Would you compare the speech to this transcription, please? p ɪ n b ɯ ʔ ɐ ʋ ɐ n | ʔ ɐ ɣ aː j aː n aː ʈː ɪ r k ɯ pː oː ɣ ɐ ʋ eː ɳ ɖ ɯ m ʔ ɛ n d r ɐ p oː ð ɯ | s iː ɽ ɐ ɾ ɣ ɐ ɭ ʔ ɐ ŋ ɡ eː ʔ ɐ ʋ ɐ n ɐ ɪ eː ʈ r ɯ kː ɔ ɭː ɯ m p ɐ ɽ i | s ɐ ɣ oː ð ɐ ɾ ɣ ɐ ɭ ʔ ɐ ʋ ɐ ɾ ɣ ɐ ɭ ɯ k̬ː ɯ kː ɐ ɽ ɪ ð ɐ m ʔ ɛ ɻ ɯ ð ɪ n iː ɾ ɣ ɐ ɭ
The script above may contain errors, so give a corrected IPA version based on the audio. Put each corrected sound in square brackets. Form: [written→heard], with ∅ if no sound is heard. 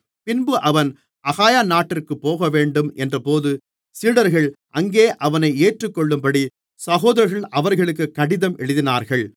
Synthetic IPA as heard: p ɪ n b ɯ ʔ ɐ ʋ ɐ n | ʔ ɐ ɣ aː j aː n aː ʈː ɪ r k ɯ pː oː ɣ ɐ ʋ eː ɳ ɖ ɯ m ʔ ɛ n d r ɐ p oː ð ɯ | s iː ɽ ɐ ɾ ɣ ɐ ɭ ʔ ɐ ŋ ɡ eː ʔ ɐ ʋ ɐ n ɐ ɪ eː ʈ r ɯ kː ɔ ɭː ɯ m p ɐ ɽ i | s ɐ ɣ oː ð ɐ ɾ ɣ ɐ ɭ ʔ ɐ ʋ ɐ ɾ ɣ ɐ ɭ ɯ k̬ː ɯ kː ɐ ɽ ɪ ð ɐ m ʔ ɛ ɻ ɯ ð ɪ n [iː→aː] ɾ ɣ ɐ ɭ